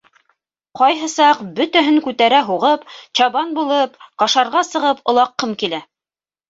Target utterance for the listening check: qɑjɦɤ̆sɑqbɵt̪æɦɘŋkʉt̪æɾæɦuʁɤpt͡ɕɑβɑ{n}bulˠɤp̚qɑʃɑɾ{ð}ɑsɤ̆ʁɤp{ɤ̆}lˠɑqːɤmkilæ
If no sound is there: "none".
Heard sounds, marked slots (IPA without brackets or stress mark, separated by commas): n, ʁ, ŏ